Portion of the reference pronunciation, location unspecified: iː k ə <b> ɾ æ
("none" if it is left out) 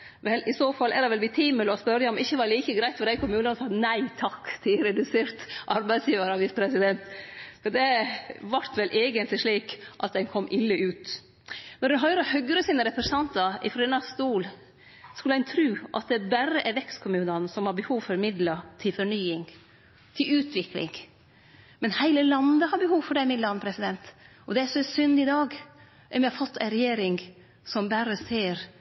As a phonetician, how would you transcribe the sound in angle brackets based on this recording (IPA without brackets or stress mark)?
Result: ɡ